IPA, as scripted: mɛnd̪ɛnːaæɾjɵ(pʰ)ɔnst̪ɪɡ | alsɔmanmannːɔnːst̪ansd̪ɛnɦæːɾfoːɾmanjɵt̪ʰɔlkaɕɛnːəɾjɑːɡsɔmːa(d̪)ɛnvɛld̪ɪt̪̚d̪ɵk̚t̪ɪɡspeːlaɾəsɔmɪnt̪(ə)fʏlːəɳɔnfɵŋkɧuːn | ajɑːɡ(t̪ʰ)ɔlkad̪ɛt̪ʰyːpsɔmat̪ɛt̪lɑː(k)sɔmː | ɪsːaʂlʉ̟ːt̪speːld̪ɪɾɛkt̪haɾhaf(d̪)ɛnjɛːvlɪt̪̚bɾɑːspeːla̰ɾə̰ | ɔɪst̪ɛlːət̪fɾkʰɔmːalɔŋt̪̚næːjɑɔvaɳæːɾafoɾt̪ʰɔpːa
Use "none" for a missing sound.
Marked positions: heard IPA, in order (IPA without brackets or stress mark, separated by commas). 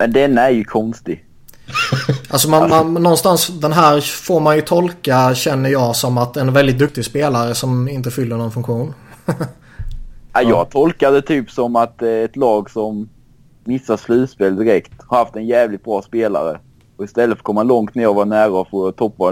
kʰ, t̪, ə, t̪ʰ, ɡ, t̪